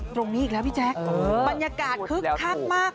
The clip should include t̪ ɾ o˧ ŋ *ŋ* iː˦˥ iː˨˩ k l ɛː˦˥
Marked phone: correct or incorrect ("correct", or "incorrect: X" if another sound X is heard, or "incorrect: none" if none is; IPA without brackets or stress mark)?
incorrect: n